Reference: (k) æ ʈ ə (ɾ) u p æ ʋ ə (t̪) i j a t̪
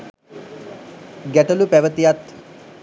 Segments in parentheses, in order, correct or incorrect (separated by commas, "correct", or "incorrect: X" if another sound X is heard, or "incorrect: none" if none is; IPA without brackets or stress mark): incorrect: ɡ, incorrect: l, correct